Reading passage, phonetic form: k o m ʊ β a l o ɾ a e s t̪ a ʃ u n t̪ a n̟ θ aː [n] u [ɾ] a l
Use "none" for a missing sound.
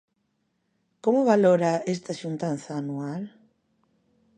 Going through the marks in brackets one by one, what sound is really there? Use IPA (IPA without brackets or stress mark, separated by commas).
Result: n, none